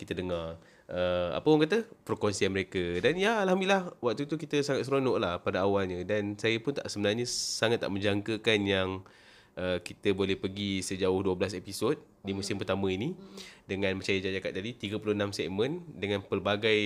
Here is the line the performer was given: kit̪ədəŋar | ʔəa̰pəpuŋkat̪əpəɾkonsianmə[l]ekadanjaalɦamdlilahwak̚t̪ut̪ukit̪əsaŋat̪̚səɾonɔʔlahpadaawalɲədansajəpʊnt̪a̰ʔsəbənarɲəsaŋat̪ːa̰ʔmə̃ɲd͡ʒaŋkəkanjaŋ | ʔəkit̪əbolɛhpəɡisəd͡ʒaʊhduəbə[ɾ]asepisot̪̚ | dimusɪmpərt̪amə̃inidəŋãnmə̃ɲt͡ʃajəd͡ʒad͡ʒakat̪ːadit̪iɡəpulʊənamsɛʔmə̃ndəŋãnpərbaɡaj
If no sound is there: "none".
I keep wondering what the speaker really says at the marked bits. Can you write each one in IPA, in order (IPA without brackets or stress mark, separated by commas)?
ɾ, l